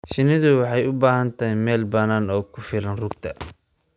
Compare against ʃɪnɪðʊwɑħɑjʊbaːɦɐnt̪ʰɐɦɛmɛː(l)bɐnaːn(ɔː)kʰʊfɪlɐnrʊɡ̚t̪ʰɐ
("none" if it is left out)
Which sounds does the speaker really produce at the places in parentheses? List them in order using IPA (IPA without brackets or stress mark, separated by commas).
l, ɔː